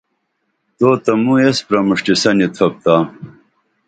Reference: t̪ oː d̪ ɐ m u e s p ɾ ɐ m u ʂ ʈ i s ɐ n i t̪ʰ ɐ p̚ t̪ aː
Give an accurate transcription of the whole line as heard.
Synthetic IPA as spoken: t̪ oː t̪ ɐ m u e s p ɾ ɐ m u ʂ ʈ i s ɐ n i t̪ʰ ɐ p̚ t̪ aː